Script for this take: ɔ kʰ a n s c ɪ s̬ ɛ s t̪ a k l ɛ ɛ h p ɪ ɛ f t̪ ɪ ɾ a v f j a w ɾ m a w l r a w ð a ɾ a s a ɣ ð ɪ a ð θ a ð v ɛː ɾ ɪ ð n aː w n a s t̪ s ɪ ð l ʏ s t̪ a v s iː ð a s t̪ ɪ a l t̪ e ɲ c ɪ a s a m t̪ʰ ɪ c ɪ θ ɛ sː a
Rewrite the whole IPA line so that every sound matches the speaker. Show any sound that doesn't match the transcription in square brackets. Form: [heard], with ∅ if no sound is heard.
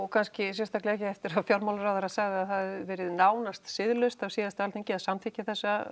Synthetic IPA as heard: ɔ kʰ a n s c ɪ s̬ ɛ s t̪ a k l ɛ ɛ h [c] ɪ ɛ f t̪ ɪ ɾ a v f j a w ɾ m a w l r a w ð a ɾ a s a ɣ ð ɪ a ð θ a ð v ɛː ɾ ɪ ð n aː w n a s t̪ s ɪ ð l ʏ s t̪ a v s iː ð a s t̪ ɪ a l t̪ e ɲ c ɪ a s a m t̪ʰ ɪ c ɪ θ ɛ sː a